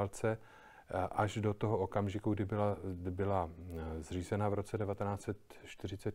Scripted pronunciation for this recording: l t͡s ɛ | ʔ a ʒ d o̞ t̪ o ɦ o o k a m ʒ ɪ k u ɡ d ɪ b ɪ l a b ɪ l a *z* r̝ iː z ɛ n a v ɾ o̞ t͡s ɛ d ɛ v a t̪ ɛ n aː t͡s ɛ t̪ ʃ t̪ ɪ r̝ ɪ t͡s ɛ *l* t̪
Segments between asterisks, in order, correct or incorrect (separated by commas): correct, incorrect